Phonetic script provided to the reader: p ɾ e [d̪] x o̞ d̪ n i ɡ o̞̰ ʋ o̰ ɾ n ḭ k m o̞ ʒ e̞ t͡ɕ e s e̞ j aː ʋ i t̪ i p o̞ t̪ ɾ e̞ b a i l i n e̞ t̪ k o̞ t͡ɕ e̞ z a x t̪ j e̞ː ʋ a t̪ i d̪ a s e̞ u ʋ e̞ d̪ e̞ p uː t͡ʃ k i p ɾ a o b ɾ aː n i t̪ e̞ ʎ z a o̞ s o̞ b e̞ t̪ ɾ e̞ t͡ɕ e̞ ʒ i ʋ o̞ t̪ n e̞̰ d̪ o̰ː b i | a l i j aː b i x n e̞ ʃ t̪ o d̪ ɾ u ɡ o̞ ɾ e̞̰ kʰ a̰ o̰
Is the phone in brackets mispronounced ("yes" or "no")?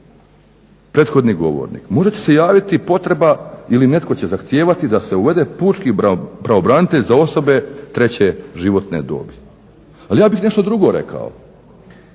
yes